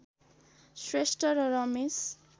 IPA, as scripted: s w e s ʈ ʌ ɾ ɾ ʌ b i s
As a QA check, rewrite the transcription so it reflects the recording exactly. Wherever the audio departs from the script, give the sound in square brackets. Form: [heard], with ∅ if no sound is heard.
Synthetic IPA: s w e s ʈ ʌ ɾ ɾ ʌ [m] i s